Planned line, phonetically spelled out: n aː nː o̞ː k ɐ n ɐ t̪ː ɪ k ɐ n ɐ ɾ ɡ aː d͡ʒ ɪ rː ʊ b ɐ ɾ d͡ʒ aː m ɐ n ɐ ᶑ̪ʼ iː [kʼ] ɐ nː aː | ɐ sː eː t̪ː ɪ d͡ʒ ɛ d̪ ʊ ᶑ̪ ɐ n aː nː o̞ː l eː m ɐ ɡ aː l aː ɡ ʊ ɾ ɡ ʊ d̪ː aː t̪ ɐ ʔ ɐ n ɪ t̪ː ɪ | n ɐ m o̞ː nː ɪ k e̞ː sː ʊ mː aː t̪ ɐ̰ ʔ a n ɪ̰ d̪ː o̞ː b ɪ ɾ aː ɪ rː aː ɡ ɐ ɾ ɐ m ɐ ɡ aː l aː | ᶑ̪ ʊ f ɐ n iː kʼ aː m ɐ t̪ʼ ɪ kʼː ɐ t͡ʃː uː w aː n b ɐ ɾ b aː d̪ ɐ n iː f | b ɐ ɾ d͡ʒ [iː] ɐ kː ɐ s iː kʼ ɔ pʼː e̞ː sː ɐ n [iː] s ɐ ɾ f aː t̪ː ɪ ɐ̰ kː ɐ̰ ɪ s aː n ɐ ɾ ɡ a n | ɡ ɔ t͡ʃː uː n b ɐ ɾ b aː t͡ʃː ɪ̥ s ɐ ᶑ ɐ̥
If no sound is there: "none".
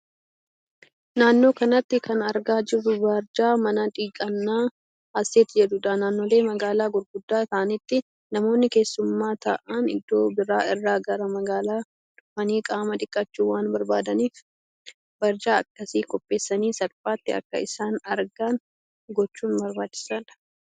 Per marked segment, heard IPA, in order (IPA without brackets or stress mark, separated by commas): kʼ, aː, iː